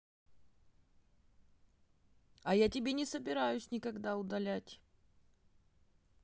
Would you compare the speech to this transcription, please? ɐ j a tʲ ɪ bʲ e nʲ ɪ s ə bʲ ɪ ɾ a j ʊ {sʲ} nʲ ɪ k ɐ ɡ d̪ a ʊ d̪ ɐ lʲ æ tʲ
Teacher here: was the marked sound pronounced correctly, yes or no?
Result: yes